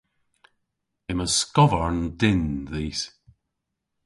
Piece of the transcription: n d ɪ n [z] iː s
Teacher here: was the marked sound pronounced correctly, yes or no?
no